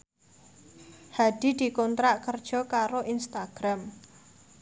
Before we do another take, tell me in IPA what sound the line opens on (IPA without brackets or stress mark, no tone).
h